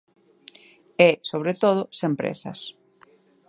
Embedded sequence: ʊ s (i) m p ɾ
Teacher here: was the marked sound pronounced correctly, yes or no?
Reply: no